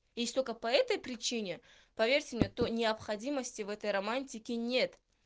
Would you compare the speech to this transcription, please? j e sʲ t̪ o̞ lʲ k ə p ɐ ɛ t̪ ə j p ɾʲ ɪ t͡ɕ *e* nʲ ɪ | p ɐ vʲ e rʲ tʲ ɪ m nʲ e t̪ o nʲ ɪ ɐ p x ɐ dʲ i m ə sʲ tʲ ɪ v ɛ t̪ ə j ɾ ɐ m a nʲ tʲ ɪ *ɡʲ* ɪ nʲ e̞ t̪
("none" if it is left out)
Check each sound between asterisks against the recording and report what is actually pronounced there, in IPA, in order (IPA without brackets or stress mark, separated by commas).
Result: i, kʲ